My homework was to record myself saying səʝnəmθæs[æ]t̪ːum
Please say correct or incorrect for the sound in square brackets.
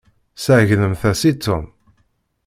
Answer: incorrect